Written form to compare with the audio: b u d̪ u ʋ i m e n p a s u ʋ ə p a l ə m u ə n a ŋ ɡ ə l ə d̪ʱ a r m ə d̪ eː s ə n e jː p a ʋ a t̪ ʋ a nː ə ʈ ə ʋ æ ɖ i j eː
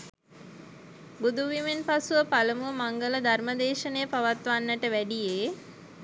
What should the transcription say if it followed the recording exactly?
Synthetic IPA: b u d̪ u ʋ i m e n p a s u ʋ ə p a l ə m u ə m a ŋ ɡ ə l ə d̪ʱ a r m ə d̪ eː ʃ ə n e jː p a ʋ a t̪ ʋ a nː ə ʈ ə ʋ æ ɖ i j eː